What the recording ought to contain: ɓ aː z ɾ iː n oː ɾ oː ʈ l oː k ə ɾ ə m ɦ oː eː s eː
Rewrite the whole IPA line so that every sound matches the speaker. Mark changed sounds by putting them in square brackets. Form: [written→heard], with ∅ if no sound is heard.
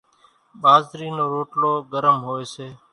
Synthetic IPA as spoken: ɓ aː z ɾ iː n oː ɾ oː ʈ l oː [k→ɡ] ə ɾ ə m ɦ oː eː s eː